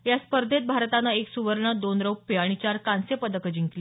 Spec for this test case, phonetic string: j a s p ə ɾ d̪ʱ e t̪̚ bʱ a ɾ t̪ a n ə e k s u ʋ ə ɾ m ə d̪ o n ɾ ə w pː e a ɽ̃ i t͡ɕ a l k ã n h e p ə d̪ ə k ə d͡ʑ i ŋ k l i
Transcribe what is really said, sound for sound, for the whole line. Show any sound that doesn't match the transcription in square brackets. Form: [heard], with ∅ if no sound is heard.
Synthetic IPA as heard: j a s p ə ɾ d̪ʱ e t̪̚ bʱ a ɾ t̪ a n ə e k s u ʋ ə ɾ [ɳ] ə d̪ o n ɾ ə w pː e a ɽ̃ i t͡ɕ a [ɾ] k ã n [s] e p ə d̪ ə k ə d͡ʑ i ŋ k l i

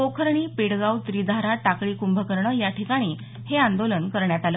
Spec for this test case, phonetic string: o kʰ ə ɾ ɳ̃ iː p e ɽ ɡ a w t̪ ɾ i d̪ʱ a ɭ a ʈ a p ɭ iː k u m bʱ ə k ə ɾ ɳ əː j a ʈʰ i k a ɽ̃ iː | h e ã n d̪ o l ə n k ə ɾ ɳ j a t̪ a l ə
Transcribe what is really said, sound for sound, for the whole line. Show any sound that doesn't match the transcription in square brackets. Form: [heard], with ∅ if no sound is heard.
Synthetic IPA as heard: o kʰ ə ɾ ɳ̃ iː p e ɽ ɡ a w t̪ ɾ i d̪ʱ a [ɾ] a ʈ a [k] ɭ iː k u m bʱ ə k ə ɾ ɳ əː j a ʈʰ i k a ɽ̃ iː | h e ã n d̪ o l ə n k ə ɾ ɳ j a t̪ a l ə

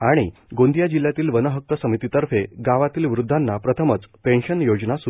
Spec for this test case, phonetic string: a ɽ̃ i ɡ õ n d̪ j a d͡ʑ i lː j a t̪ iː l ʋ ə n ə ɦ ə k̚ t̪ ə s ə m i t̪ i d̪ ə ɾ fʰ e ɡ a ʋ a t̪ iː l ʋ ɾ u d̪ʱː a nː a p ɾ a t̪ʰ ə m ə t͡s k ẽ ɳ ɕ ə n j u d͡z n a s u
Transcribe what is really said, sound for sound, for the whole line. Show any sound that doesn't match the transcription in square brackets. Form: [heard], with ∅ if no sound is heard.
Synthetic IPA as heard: a ɽ̃ i ɡ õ n d̪ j a d͡ʑ i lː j a t̪ iː l ʋ ə n ə ɦ ə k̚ t̪ ə s ə m i t̪ i [t̪] ə ɾ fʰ e ɡ a ʋ a t̪ iː l ʋ ɾ u d̪ʱː a nː a p ɾ [ə] t̪ʰ ə m ə t͡s [p] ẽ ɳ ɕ ə n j [o] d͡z n a s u

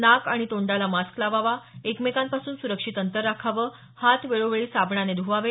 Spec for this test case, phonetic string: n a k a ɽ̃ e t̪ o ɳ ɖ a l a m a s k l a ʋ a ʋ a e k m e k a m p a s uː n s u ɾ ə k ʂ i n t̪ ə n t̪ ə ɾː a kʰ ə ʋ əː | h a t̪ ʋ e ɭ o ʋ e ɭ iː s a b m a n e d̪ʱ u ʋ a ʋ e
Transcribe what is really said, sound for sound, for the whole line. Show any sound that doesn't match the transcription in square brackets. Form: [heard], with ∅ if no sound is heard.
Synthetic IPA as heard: n a k a ɽ̃ [i] t̪ o ɳ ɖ a l a m a s k l a ʋ a ʋ a e k m e k a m p a s uː n s u ɾ ə k ʂ i [∅] t̪ ə n t̪ ə ɾː a kʰ [a] ʋ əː | h a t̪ ʋ e ɭ o ʋ e ɭ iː s a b [ɳ] a n e d̪ʱ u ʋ a ʋ e

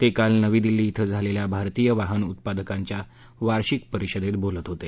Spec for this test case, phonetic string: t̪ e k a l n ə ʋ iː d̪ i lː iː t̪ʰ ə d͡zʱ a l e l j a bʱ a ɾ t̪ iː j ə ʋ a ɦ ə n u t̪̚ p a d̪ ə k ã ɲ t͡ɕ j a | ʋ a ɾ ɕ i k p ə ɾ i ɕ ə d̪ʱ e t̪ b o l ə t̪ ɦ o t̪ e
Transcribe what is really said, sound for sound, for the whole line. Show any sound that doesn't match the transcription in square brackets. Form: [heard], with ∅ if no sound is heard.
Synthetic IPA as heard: t̪ e k a l n ə ʋ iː d̪ i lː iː t̪ʰ ə d͡zʱ a l e l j a bʱ a ɾ t̪ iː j ə ʋ a ɦ ə n u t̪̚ p a d̪ ə k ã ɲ t͡ɕ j a | ʋ a ɾ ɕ i k p ə ɾ i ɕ ə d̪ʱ e t̪ b o l ə t̪ ɦ o t̪ e

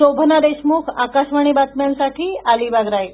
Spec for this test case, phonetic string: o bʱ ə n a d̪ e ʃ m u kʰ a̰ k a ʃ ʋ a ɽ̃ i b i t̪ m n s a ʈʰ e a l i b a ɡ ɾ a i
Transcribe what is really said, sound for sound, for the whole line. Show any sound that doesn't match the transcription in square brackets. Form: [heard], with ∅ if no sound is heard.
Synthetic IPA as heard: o bʱ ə n a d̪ e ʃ m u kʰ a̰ k a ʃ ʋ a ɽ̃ i b [a] t̪ m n s a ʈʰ [i] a l i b a ɡ ɾ a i

